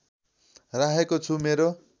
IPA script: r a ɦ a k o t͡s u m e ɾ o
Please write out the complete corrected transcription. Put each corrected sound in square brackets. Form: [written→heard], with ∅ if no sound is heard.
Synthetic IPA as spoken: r a ɦ [a→e] k o [t͡s→t͡sʰ] u m e ɾ o